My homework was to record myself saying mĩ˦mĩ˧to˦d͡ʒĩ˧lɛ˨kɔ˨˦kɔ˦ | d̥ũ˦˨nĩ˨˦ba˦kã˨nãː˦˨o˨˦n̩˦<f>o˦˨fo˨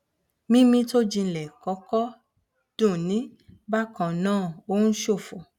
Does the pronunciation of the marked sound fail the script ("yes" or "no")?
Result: yes